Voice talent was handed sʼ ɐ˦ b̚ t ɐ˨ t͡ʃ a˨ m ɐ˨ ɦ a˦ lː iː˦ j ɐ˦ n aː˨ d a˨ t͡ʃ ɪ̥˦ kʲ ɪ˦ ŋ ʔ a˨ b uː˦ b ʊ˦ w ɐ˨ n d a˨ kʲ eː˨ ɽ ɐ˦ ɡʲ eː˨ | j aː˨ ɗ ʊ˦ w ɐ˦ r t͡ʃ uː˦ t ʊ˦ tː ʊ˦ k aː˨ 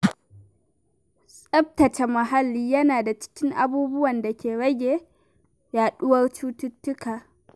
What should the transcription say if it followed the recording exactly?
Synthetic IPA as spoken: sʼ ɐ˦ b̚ t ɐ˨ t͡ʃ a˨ m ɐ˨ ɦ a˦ lː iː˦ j ɐ˦ n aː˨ d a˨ t͡ʃ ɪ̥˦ kʲ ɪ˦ ŋ ʔ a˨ b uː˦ b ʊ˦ w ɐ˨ n d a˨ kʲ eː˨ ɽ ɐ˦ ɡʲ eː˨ | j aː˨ ɗ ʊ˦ w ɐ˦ r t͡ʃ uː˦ t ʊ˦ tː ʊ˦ k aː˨